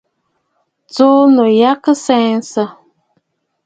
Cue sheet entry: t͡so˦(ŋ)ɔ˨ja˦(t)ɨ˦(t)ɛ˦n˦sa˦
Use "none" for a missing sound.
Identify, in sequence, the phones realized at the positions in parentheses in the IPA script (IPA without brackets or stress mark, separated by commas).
n, k, s